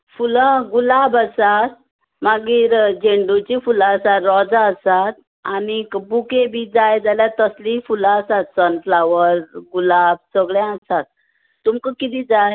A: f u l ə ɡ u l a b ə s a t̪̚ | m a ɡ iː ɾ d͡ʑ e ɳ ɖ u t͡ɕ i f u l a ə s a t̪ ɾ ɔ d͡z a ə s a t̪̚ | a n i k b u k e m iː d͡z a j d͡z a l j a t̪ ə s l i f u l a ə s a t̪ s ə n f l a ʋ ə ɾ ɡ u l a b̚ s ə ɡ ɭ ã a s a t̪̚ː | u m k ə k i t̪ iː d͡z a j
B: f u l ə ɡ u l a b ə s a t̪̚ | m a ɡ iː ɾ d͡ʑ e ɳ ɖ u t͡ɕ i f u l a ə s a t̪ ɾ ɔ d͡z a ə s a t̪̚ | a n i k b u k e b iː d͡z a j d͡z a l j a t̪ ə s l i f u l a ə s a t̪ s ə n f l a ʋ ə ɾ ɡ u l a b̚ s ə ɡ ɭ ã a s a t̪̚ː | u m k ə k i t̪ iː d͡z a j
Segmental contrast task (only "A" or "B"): B